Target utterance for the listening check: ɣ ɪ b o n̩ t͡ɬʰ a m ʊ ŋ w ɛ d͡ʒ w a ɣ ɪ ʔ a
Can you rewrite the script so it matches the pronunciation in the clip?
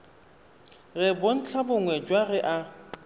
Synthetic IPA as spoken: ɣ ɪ b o n̩ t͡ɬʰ a b ʊ ŋ w ɛ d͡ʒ w a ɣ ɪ ʔ a